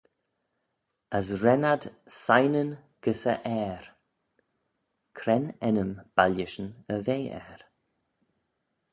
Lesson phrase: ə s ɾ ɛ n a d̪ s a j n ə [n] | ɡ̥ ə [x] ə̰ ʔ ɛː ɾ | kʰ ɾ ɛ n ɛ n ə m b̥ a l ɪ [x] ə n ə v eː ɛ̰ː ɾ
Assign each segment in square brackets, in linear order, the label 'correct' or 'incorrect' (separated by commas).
correct, incorrect, incorrect